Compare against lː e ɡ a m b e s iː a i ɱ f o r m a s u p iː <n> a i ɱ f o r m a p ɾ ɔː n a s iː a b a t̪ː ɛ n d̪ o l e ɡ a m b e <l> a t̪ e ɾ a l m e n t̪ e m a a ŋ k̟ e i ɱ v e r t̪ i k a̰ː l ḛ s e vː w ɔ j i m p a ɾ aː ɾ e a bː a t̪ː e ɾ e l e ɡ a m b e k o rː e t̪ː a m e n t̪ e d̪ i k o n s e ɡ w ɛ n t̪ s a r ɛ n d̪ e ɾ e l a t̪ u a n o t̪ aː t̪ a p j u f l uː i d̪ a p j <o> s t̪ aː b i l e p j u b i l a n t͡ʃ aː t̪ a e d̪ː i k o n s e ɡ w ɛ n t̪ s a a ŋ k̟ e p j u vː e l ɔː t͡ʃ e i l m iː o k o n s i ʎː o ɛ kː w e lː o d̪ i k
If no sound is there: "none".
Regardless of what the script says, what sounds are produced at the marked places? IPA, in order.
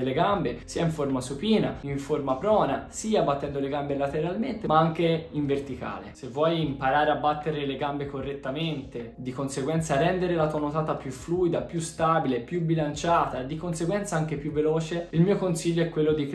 n, l, u

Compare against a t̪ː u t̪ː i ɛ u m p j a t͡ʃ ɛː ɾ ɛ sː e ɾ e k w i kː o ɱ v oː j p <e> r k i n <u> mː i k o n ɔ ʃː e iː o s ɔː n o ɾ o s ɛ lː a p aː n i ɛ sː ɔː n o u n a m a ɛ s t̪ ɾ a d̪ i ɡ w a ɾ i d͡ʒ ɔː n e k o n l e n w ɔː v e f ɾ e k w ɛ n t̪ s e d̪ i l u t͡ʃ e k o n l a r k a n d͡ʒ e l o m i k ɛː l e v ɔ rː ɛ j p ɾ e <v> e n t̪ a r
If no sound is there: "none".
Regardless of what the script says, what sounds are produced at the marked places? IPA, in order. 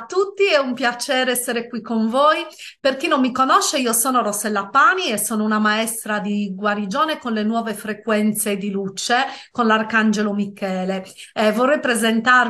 e, o, z

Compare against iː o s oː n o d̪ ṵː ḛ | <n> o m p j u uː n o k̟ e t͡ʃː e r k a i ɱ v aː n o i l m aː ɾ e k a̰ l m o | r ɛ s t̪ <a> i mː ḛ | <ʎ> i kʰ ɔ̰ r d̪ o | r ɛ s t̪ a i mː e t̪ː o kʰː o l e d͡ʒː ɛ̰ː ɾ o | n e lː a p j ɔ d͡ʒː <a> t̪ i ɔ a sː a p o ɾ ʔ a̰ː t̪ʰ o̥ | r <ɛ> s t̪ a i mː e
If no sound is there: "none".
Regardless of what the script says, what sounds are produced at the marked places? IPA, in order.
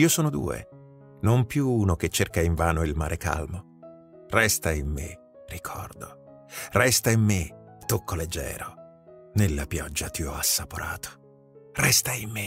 n, a, r, a, ɛ

